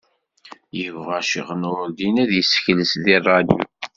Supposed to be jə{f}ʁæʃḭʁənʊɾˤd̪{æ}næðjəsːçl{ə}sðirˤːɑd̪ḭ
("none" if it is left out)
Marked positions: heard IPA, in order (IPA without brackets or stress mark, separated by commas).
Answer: v, i, ə